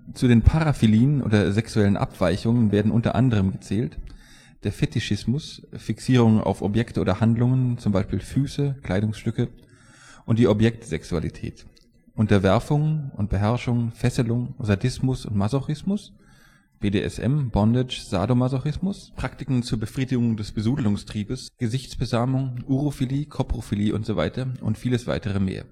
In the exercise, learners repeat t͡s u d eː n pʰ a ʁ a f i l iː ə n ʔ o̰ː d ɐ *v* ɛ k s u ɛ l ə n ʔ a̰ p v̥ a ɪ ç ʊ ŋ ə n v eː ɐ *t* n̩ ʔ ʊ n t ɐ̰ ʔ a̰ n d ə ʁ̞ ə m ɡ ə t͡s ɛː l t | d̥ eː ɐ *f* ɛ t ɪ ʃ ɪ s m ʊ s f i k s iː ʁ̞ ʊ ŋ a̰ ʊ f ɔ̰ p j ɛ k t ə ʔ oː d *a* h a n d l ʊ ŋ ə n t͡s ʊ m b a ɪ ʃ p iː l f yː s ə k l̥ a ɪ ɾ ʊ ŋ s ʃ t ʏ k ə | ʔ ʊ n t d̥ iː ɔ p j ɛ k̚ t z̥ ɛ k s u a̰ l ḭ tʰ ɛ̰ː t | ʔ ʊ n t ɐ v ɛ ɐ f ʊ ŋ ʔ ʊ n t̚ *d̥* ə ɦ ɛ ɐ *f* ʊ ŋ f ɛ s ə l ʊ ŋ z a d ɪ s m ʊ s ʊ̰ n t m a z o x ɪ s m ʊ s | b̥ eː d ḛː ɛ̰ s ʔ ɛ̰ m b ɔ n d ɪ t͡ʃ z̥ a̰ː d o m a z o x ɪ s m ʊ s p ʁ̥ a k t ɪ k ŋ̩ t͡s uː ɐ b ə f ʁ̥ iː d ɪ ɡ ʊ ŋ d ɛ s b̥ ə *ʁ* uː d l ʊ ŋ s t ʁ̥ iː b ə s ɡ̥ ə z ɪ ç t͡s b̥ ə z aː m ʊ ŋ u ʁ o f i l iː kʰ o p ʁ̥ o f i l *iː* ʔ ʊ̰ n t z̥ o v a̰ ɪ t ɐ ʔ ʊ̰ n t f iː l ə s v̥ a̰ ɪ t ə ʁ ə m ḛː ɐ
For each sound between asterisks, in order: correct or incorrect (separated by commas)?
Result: incorrect, incorrect, correct, incorrect, incorrect, incorrect, incorrect, correct